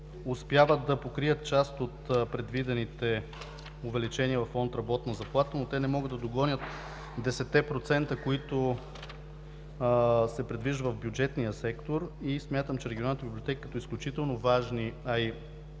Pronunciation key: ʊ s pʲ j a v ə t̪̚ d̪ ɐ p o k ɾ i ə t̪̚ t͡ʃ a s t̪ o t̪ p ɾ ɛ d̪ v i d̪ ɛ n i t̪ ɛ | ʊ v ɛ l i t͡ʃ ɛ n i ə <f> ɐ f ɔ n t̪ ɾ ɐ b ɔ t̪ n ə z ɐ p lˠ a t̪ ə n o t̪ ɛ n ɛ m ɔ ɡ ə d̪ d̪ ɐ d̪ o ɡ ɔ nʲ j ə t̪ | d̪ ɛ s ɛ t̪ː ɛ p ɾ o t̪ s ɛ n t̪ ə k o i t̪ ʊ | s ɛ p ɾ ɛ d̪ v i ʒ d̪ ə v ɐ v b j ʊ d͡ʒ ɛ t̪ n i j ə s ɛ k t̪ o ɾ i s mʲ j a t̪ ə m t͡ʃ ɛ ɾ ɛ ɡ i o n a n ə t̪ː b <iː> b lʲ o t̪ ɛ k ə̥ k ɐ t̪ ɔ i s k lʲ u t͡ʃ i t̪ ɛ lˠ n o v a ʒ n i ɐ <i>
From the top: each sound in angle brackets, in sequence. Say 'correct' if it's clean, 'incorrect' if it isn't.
incorrect: v, incorrect: i, correct

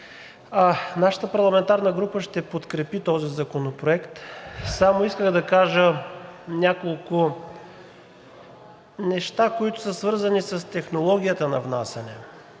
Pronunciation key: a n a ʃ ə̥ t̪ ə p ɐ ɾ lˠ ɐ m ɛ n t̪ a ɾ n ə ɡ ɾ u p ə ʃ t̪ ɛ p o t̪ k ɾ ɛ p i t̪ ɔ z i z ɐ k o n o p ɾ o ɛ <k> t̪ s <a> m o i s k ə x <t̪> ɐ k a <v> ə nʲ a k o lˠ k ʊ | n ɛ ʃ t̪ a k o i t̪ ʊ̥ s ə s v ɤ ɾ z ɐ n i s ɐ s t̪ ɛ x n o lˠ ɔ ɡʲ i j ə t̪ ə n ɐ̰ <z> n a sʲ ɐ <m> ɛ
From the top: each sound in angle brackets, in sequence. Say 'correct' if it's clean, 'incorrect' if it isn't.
correct, correct, incorrect: d̪, incorrect: ʒ, incorrect: v, incorrect: n

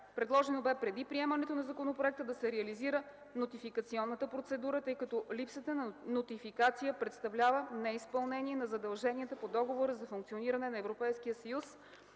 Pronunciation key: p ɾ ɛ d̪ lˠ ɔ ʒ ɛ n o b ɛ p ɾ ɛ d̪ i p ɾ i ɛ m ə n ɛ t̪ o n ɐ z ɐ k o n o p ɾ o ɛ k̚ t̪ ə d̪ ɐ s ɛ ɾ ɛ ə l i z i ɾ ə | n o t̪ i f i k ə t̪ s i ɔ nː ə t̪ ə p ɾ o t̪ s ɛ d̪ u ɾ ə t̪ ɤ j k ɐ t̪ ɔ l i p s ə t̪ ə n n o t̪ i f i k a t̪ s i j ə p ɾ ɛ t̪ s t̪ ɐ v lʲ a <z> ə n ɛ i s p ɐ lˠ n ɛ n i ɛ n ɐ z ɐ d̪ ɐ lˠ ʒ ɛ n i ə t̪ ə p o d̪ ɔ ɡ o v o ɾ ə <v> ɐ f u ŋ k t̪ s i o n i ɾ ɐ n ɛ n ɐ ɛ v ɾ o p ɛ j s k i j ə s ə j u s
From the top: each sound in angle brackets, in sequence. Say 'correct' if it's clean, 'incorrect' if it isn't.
incorrect: v, incorrect: z

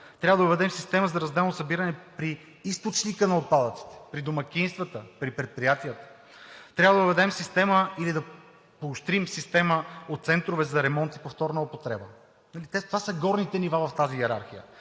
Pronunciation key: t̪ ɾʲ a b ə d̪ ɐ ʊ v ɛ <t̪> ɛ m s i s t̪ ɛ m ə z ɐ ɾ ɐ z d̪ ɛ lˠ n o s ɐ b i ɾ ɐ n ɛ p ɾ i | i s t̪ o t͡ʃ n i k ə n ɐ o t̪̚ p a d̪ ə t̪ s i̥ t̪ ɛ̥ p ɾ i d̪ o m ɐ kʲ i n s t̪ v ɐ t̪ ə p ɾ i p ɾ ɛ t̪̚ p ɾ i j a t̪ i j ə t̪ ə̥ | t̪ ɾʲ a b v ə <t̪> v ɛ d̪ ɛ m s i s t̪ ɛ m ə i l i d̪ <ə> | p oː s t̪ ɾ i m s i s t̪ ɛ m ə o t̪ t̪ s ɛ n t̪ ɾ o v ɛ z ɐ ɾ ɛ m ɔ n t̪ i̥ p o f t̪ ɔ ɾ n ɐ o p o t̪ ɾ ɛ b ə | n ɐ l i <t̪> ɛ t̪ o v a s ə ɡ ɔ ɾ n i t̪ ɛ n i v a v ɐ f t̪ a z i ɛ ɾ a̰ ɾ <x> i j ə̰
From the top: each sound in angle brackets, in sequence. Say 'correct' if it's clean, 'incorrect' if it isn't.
incorrect: d̪, incorrect: d̪, incorrect: ɐ, correct, correct

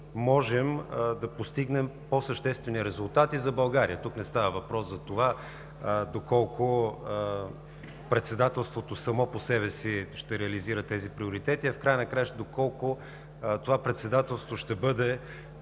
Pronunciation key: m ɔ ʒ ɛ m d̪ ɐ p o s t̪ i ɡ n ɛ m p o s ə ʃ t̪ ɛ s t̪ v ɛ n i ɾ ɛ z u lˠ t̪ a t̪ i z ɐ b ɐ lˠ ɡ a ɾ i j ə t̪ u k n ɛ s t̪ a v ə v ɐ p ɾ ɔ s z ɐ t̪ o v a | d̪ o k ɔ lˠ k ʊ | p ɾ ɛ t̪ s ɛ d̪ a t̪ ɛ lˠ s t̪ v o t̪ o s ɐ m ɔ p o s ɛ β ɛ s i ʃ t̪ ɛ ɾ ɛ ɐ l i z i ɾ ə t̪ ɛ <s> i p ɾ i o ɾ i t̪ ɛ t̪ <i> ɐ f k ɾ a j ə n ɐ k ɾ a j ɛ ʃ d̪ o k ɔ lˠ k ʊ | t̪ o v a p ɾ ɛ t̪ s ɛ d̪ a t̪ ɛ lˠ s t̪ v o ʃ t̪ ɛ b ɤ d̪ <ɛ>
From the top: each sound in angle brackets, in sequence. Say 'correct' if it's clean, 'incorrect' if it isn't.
incorrect: z, correct, correct

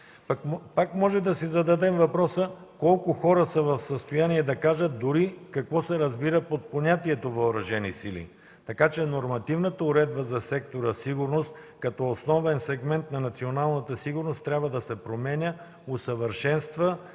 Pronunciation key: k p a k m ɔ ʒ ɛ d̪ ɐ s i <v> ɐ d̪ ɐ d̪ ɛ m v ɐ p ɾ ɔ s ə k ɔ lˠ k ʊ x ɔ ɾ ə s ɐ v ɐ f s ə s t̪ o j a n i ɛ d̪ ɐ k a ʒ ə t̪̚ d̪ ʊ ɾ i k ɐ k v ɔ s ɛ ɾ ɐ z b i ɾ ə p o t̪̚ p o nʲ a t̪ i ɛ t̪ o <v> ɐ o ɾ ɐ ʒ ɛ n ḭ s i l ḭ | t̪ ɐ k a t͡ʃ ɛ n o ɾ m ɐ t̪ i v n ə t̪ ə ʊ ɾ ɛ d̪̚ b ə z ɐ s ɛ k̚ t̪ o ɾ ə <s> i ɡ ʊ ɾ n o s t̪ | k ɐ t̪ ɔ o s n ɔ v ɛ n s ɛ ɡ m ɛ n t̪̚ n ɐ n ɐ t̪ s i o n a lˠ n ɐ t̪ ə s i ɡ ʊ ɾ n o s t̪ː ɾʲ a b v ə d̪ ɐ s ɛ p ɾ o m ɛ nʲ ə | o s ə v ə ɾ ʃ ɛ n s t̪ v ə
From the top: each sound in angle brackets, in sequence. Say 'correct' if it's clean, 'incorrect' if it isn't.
incorrect: z, correct, correct

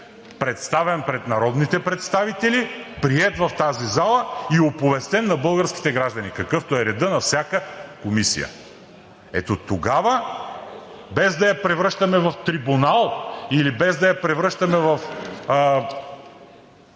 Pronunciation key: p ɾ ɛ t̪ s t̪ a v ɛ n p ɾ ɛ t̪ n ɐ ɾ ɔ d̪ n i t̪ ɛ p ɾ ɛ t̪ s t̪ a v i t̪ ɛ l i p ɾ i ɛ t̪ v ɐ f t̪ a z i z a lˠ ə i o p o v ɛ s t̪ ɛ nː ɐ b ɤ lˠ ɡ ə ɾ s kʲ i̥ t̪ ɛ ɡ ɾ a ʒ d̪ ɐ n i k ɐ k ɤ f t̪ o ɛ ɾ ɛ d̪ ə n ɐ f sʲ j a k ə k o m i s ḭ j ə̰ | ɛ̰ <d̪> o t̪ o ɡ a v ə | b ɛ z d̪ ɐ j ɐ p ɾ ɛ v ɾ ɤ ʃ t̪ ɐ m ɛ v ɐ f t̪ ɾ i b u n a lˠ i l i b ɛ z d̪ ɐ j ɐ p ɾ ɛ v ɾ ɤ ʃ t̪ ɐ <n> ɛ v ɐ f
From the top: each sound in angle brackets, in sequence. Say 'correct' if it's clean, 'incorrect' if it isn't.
incorrect: t̪, incorrect: m

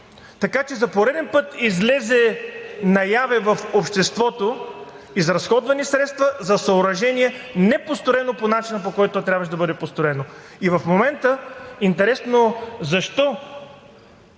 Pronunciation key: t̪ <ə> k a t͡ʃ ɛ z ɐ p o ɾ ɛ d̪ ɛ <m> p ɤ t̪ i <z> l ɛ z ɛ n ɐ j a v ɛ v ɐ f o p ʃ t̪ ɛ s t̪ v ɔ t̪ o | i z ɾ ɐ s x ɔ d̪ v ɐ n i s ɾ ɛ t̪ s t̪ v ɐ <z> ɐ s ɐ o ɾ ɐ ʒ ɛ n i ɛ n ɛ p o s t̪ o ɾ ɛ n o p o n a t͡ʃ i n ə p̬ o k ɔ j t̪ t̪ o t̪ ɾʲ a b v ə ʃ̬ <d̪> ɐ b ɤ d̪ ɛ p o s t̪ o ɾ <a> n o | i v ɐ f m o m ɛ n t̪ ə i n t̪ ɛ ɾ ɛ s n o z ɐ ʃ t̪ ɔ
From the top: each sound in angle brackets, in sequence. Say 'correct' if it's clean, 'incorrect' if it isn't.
incorrect: ɐ, incorrect: n, correct, correct, correct, incorrect: ɛ

